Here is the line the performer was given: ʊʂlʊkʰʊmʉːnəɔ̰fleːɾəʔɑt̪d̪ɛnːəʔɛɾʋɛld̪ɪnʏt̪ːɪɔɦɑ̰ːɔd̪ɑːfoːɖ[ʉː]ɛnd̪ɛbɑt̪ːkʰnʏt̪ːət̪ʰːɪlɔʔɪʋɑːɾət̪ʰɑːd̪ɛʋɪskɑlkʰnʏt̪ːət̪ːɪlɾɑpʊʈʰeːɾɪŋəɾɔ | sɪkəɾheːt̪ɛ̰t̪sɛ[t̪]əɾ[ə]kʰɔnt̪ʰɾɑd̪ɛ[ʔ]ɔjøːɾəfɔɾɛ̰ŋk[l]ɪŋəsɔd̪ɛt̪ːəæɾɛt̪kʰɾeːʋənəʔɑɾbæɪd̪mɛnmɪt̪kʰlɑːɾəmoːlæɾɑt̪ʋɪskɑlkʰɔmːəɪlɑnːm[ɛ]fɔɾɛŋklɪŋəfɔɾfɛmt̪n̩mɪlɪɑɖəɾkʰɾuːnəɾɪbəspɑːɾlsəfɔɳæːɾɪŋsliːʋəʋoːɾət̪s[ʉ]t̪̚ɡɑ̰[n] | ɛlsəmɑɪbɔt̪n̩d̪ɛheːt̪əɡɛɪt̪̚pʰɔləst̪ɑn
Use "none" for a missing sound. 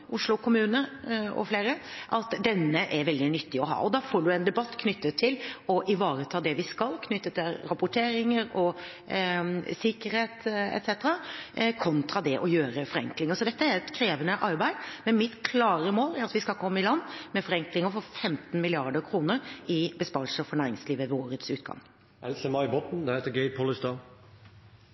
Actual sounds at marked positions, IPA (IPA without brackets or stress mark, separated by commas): ʉ, t̪, ɑ, ʔ, l, ɛ, ʉː, ŋ